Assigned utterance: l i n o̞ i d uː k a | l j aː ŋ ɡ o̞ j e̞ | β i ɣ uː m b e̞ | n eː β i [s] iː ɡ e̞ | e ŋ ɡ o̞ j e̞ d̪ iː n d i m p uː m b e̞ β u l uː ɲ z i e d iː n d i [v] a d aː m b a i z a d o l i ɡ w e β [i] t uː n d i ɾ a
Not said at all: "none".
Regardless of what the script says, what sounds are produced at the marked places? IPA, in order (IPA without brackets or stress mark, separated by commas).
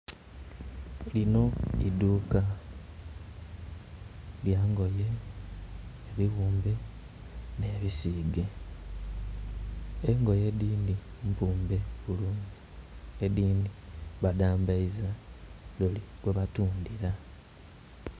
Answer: s, β, a